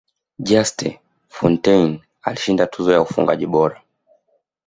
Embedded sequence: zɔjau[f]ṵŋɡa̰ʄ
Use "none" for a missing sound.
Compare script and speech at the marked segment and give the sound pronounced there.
f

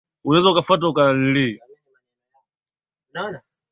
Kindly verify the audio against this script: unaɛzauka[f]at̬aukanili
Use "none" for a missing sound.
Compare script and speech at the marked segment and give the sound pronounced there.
f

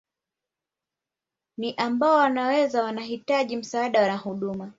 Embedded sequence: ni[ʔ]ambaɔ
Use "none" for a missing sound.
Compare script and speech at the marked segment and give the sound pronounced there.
ʔ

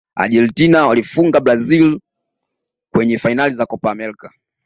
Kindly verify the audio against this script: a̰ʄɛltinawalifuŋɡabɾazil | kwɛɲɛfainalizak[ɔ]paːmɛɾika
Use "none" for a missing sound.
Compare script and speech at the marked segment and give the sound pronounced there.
ɔ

